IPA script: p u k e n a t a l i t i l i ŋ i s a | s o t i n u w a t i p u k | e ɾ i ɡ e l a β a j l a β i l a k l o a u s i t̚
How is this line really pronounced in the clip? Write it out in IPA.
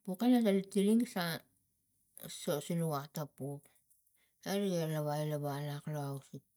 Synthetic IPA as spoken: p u k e n a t a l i t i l i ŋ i s a | s o s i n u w a t a p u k | e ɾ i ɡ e l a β a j l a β a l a k l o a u s i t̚